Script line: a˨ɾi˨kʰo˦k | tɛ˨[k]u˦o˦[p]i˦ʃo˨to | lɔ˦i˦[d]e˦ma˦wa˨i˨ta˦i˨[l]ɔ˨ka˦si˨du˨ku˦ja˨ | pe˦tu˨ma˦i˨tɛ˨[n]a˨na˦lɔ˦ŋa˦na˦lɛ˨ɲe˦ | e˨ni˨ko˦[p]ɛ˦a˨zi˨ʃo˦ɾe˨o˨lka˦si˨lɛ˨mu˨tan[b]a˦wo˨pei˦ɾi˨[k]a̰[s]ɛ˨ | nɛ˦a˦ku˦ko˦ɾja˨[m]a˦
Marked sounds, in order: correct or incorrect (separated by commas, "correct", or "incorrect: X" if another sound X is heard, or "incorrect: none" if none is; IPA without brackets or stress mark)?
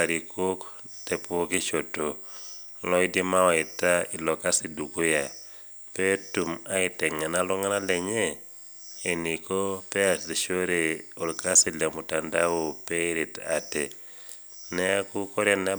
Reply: incorrect: p, incorrect: k, correct, correct, incorrect: ŋ, correct, incorrect: d, incorrect: t, incorrect: t, incorrect: n